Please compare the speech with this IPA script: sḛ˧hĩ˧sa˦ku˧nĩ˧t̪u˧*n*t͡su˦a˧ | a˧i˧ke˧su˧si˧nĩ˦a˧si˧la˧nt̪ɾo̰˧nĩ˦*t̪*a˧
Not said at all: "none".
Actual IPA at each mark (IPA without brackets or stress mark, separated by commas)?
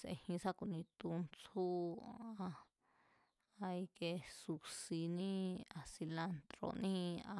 n, none